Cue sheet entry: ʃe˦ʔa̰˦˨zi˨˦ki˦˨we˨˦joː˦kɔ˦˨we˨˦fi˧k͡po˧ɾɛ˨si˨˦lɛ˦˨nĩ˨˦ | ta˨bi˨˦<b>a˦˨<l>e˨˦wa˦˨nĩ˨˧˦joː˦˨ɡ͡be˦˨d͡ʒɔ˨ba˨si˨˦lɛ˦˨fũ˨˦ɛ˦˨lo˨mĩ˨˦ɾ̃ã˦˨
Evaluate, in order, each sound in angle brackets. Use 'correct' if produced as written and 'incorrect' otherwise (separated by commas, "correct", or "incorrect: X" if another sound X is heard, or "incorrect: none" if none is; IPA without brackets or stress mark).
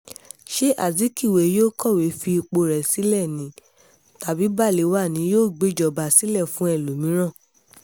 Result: correct, correct